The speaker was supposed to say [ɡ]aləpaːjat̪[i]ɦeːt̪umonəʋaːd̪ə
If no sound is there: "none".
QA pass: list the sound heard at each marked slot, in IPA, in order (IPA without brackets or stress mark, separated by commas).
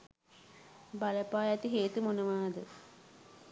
b, i